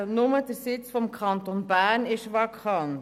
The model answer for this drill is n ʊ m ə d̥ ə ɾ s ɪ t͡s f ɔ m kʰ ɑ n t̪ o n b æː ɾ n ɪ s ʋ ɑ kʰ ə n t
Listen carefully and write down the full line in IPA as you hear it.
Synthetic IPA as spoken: n ʊ m ə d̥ ə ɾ s ɪ t͡s f ɔ m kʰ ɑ n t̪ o n b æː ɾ n ɪ ʃ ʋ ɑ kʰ ɑ n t